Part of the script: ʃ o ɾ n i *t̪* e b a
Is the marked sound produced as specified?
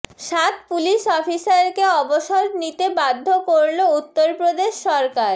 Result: yes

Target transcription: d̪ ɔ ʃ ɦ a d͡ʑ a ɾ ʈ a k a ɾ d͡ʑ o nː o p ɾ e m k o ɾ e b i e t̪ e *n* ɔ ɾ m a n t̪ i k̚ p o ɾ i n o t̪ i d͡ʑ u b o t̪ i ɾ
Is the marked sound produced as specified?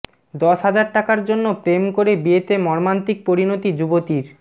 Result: no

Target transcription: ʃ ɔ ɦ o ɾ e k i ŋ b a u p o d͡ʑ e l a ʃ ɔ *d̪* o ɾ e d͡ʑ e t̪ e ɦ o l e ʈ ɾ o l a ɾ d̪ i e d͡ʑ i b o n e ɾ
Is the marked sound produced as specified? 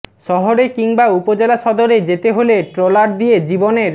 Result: yes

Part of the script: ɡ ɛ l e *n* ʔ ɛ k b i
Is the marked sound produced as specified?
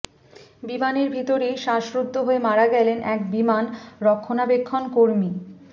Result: yes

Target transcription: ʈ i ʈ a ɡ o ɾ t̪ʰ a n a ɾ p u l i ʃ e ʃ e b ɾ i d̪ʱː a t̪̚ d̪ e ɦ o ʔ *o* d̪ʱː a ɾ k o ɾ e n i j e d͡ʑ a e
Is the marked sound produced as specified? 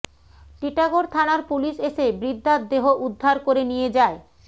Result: no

